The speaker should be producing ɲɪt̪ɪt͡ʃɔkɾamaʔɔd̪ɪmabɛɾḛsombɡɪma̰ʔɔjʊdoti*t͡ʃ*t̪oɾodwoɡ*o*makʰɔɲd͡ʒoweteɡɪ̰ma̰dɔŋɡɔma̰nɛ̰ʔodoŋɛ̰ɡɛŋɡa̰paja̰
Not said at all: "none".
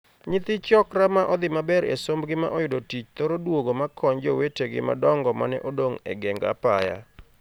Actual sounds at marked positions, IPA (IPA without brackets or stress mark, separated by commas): t͡ʃ, o